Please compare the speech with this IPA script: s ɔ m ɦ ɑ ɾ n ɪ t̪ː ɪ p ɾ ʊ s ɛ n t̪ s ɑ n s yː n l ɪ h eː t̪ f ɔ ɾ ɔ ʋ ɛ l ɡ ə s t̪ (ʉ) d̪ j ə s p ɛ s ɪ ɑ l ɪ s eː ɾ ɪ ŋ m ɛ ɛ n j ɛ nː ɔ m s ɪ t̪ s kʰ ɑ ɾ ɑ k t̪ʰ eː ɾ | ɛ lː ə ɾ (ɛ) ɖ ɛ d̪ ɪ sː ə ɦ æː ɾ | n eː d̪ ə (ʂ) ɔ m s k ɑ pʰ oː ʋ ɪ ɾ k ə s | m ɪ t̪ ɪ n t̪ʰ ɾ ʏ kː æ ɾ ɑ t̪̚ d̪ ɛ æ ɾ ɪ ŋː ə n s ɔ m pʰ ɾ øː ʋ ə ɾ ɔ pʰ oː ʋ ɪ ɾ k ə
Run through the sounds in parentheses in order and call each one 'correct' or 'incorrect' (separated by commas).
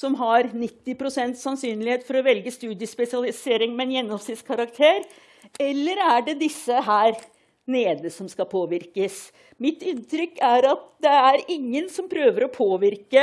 incorrect, incorrect, incorrect